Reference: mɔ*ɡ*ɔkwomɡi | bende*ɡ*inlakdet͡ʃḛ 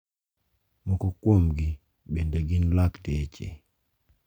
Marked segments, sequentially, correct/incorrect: incorrect: k, correct

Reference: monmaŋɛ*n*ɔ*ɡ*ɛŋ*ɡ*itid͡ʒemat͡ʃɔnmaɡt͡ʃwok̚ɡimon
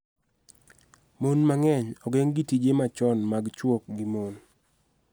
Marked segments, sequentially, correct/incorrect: incorrect: ɲ, correct, correct

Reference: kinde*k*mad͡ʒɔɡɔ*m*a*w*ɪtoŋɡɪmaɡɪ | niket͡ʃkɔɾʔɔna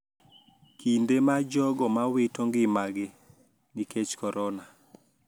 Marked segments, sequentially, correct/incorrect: incorrect: none, correct, correct

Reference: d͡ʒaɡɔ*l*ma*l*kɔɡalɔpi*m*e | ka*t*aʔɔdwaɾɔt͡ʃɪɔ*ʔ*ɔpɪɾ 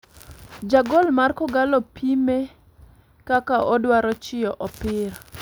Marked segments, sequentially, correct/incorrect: correct, incorrect: r, correct, incorrect: k, correct

